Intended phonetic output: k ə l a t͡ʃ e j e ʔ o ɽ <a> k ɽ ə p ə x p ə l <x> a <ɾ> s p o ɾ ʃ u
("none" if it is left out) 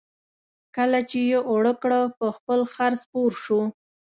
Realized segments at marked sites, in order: ə, x, ɾ

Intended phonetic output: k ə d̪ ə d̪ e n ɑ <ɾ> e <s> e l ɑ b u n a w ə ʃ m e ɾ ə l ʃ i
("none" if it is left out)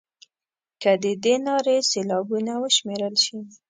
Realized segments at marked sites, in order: ɾ, s

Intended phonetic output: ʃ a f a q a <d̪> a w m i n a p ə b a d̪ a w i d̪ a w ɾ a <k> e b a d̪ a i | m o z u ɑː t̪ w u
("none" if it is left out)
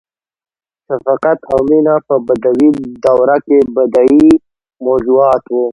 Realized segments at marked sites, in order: t̪, k

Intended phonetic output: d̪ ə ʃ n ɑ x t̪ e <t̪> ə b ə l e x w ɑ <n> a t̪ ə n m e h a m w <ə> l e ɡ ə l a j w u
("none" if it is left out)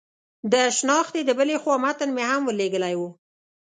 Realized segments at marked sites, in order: d̪, m, ə

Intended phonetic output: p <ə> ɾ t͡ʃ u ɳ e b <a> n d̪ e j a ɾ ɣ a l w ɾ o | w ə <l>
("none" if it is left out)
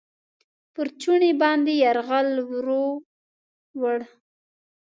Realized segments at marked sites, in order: ə, ɑ, ɽ

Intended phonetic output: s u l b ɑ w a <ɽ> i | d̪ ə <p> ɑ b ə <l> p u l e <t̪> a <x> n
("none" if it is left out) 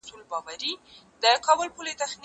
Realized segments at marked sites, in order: ɾ, k, l, t̪, x

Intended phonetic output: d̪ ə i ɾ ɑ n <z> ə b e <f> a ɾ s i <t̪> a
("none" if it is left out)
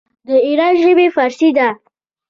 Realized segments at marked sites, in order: ʒ, f, d̪

